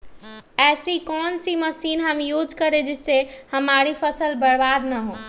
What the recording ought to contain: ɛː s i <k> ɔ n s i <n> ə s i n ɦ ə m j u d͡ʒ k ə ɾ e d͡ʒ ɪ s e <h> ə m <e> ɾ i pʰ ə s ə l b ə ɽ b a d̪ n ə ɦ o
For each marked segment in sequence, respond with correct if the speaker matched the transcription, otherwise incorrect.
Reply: correct, incorrect: m, correct, incorrect: a

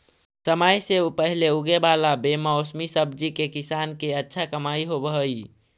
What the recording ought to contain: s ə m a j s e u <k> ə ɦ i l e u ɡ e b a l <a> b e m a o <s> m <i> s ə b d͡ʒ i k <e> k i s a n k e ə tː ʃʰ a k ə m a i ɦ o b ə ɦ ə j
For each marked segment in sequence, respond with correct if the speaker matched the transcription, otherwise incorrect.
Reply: incorrect: p, correct, correct, correct, correct

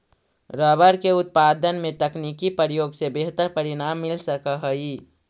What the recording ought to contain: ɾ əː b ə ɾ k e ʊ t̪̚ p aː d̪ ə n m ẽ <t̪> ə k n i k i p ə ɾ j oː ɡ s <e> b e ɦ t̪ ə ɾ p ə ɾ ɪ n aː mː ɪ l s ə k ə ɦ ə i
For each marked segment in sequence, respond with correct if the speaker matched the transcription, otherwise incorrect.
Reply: correct, correct

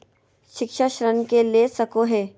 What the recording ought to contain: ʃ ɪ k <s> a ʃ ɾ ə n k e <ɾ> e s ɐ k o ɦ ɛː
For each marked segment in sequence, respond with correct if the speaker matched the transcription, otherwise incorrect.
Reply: incorrect: ʃ, incorrect: l

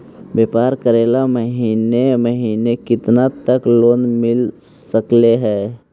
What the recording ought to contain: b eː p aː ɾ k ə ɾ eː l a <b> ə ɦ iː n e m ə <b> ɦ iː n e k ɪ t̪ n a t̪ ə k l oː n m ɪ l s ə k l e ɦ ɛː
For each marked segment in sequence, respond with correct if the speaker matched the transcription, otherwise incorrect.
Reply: incorrect: m, incorrect: none

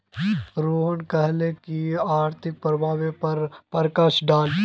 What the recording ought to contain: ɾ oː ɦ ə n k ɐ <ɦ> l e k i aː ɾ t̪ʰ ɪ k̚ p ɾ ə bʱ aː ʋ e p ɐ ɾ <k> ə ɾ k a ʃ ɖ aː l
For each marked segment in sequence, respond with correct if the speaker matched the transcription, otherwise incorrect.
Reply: correct, incorrect: p

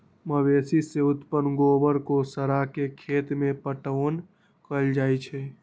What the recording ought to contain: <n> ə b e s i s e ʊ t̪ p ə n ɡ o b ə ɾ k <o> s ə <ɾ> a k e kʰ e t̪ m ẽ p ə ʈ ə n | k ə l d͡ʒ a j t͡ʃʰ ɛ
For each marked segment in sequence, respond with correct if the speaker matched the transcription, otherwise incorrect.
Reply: incorrect: m, correct, correct

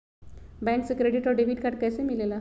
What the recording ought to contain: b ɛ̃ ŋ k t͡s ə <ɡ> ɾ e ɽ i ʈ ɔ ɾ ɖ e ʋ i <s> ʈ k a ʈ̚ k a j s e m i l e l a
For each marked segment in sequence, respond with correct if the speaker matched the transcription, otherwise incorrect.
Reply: incorrect: k, incorrect: none

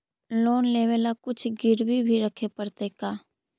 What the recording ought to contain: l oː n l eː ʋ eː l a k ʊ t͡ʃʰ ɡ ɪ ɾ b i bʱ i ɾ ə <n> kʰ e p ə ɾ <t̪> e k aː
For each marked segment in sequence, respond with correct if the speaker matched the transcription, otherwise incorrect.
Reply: incorrect: none, correct

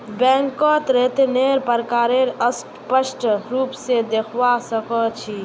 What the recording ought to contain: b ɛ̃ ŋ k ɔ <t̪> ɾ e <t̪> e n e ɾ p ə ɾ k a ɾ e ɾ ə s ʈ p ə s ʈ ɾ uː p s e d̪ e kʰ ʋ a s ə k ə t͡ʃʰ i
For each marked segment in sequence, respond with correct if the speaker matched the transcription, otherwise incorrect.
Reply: correct, correct

